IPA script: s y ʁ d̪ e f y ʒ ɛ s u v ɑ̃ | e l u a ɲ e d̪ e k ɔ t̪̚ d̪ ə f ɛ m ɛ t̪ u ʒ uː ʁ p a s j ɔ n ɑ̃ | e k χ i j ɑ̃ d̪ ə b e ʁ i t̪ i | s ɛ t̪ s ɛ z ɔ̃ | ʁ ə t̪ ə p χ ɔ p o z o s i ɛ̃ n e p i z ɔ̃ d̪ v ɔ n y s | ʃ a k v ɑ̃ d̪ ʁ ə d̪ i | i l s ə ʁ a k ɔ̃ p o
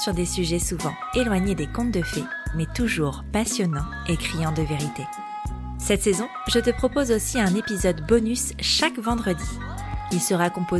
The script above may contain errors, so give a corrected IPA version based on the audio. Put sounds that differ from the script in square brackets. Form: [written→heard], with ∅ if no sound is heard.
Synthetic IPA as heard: s y ʁ d̪ e [f→s] y ʒ ɛ s u v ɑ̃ | e l [u→w] a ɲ e d̪ e k [ɔ→ɔ̃] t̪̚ d̪ ə f ɛ m ɛ t̪ u ʒ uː ʁ p a s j ɔ n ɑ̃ | e k χ i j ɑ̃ d̪ ə [b→v] e ʁ i t̪ [i→e] | s ɛ t̪ s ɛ z ɔ̃ | [ʁ→ʒ] ə t̪ ə p χ ɔ p o z o s i ɛ̃ n e p i z [ɔ̃→ɔ] d̪ [v→b] ɔ n y s | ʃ a k v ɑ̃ d̪ ʁ ə d̪ i | i l s ə ʁ a k ɔ̃ p o